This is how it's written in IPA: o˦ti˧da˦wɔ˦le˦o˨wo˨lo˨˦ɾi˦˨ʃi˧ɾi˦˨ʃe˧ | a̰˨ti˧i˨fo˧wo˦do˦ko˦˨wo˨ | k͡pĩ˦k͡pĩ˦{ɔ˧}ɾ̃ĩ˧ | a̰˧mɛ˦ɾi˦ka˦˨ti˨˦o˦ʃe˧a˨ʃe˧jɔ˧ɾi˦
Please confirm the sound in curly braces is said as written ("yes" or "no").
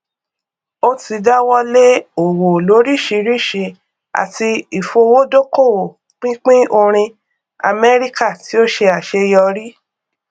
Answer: no